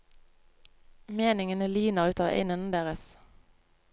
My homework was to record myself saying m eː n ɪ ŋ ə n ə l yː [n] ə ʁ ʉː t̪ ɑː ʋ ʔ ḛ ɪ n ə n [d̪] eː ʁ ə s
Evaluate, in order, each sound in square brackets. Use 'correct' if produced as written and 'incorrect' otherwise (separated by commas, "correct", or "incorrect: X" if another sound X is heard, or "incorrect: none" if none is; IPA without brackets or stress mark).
correct, correct